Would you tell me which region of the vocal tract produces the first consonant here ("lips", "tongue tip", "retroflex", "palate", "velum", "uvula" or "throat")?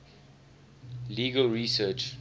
tongue tip